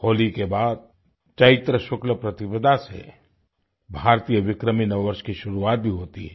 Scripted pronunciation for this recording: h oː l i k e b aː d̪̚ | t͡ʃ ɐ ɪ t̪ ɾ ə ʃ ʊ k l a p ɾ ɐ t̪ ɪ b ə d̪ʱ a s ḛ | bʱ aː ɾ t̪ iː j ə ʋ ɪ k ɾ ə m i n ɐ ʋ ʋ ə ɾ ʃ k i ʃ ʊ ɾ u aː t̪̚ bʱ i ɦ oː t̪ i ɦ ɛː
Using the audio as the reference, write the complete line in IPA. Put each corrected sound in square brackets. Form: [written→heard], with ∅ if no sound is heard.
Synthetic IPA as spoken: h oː l i k e b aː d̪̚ | t͡ʃ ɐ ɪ t̪ ɾ ə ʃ ʊ k l [a→ə] p ɾ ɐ t̪ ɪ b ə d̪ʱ a s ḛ | bʱ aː ɾ t̪ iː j ə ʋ ɪ k ɾ ə m i n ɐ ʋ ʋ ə ɾ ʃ k i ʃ ʊ ɾ u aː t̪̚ bʱ i ɦ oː t̪ i ɦ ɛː

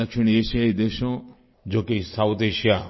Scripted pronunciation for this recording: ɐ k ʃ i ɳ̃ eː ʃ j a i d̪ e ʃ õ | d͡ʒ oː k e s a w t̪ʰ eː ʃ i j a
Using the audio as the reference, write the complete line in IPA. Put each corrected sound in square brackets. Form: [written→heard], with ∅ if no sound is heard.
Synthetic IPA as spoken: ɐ k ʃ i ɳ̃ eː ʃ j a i d̪ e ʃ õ | d͡ʒ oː k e s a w [t̪ʰ→t̪] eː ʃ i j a

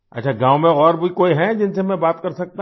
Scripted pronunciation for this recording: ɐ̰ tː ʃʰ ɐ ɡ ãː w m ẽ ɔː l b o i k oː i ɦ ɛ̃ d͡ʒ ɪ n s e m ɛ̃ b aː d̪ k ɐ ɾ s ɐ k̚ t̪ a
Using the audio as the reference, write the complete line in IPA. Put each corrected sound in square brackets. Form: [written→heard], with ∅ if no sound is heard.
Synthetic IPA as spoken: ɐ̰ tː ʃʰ [ɐ→a] ɡ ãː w m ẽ ɔː [l→ɾ] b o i k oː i ɦ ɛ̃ d͡ʒ ɪ n s e m ɛ̃ b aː [d̪→t̪] k ɐ ɾ s ɐ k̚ t̪ a

